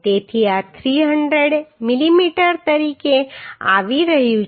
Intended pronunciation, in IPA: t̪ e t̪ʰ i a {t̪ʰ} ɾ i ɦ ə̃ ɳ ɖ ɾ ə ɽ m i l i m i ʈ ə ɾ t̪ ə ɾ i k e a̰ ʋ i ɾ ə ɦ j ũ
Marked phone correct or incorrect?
correct